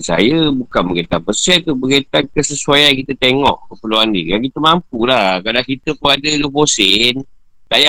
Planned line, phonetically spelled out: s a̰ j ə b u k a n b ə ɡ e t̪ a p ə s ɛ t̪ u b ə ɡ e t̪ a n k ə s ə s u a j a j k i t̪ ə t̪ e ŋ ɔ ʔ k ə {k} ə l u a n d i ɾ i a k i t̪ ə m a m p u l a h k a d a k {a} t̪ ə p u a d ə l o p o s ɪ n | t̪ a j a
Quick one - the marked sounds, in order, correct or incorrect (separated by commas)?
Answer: incorrect, incorrect